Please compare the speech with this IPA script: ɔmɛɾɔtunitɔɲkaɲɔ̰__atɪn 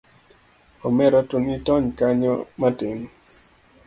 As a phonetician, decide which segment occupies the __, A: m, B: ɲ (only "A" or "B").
A